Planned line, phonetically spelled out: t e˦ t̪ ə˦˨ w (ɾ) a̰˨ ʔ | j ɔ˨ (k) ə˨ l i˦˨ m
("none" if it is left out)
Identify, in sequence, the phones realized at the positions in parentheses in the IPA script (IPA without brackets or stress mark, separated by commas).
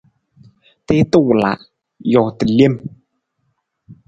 l, t